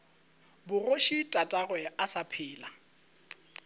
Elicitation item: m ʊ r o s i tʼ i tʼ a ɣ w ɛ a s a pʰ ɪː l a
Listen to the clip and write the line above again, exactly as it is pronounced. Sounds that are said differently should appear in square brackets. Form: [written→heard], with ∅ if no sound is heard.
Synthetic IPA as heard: [m→b] ʊ r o [s→ʃ] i tʼ [i→a] tʼ a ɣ w ɛ a s a pʰ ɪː l a